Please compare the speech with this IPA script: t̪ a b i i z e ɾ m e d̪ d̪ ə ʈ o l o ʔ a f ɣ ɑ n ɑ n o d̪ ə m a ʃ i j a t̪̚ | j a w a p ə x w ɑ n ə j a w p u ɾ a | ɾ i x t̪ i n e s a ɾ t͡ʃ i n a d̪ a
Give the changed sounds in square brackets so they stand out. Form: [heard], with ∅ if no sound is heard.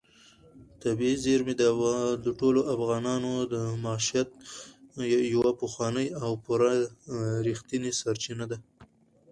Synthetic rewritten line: t̪ a b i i z e ɾ m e d̪ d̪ ə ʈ o l o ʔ a f ɣ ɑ n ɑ n o d̪ ə m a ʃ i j a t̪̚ | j a w a p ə x w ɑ n ə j a w p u ɾ a | ɾ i x t̪ i n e s a ɾ t͡ʃ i n a d̪ a